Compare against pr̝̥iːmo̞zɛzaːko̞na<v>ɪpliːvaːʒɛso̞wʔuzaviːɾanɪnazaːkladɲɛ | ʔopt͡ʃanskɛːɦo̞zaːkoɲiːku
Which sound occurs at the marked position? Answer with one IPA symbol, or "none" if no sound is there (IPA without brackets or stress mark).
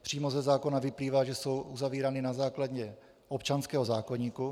v